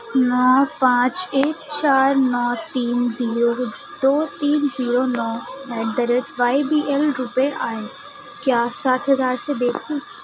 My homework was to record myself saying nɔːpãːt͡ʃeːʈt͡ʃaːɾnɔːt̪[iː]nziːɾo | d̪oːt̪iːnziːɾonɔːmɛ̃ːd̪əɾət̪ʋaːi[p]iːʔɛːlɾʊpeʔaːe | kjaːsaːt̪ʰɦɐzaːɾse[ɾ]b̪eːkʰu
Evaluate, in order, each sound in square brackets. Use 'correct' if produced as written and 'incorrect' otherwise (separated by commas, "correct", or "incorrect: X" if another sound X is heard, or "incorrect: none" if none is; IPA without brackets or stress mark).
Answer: correct, incorrect: b, incorrect: none